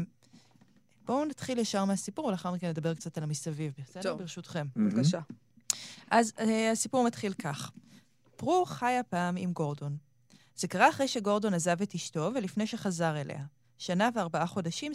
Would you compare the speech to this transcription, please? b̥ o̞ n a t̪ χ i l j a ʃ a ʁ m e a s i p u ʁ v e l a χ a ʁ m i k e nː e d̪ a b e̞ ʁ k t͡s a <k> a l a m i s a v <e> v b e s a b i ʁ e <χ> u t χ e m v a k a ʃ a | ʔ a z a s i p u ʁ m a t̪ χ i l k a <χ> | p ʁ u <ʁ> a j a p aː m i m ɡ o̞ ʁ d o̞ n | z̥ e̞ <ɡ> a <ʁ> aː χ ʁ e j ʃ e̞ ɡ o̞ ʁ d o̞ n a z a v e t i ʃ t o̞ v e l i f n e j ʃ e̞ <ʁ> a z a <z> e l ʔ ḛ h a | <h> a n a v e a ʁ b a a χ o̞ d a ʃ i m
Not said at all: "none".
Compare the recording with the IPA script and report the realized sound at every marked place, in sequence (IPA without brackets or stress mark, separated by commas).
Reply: t, i, ʃ, χ, χ, k, ʁ, χ, ʁ, ʃ